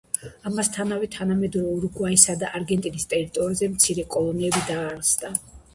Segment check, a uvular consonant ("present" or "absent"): absent